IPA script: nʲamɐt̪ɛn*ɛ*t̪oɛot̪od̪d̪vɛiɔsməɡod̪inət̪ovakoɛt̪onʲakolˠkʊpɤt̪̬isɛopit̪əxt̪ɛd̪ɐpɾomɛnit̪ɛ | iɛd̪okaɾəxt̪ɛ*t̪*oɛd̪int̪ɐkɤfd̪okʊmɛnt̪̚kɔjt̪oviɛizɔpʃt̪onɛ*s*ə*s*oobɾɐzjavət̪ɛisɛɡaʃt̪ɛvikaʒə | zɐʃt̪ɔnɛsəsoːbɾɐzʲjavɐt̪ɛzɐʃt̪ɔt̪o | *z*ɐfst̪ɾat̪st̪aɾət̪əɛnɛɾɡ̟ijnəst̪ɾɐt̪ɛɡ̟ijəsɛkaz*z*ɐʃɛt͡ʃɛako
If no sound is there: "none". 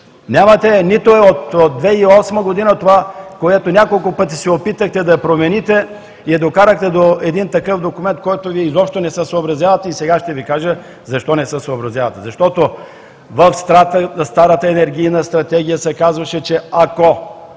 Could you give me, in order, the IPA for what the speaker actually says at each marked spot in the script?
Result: i, d̪, s, s, v, v

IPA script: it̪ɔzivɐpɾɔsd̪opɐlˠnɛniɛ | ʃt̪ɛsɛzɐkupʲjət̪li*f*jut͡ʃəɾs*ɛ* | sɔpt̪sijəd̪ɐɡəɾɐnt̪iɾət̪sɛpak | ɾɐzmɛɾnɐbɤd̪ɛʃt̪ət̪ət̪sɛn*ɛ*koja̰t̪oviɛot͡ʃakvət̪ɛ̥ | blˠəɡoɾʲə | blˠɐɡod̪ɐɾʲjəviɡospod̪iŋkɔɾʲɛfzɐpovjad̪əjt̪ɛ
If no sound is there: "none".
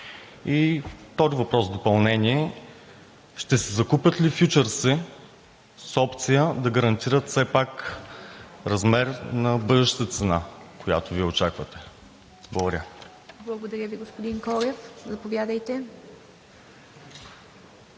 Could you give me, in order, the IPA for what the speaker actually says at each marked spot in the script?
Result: f, ɛ, a

